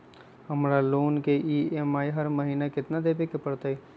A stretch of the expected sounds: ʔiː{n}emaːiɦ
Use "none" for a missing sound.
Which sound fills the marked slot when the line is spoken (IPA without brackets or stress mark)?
none